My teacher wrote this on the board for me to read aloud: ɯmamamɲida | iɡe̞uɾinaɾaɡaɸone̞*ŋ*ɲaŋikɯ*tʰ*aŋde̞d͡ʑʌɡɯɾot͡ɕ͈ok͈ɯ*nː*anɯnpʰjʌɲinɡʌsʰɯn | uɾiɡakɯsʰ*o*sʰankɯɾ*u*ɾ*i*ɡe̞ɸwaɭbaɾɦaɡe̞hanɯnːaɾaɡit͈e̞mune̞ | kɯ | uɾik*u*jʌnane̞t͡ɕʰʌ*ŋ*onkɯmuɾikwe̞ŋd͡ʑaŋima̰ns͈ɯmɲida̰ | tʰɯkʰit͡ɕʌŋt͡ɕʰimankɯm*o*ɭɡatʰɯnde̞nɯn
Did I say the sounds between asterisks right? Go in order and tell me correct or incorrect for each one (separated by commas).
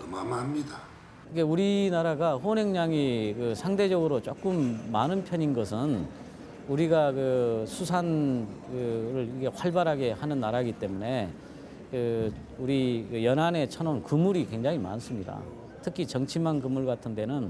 correct, incorrect, incorrect, incorrect, incorrect, correct, incorrect, incorrect, incorrect